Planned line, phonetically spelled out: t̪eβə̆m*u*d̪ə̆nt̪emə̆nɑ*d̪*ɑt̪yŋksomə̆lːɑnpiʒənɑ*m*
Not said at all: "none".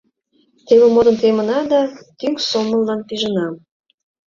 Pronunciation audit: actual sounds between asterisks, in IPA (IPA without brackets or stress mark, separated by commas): o, d̪, m